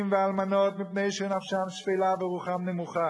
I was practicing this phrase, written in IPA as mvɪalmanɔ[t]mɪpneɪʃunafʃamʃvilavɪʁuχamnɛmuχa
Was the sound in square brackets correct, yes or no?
yes